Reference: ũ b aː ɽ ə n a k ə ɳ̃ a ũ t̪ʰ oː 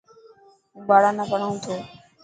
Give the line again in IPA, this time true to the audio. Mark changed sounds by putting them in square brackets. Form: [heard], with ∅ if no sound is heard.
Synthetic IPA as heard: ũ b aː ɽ [a] n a [p] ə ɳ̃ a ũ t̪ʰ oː